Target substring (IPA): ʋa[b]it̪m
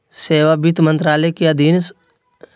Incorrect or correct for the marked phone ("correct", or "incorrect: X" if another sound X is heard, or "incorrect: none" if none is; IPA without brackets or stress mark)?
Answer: correct